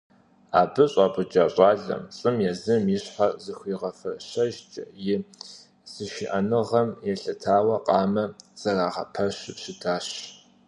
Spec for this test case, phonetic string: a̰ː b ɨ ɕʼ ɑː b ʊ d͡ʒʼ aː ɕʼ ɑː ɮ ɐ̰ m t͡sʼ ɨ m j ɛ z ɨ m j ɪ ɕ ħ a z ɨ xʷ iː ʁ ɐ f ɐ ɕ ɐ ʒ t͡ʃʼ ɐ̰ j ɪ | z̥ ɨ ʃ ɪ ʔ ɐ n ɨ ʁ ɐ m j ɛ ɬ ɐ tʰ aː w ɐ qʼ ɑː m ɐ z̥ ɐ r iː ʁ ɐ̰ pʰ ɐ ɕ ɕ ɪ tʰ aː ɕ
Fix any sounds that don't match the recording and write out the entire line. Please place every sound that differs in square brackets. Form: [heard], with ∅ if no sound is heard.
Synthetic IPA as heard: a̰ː b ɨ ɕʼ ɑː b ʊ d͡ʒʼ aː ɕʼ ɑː ɮ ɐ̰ m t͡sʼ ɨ m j ɛ z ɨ m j ɪ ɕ ħ a z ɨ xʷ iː ʁ ɐ f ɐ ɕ ɐ ʒ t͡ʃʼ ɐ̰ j ɪ | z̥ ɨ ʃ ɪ ʔ ɐ n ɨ ʁ ɐ m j ɛ ɬ ɐ tʰ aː w ɐ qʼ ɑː m ɐ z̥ ɐ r [aː] ʁ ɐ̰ pʰ ɐ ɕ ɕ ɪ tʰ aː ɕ